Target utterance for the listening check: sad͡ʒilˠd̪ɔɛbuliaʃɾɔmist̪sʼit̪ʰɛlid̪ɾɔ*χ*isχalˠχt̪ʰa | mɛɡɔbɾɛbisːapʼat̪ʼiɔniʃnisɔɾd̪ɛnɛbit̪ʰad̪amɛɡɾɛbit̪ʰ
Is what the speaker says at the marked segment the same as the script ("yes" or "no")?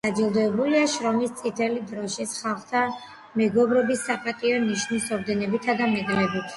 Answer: no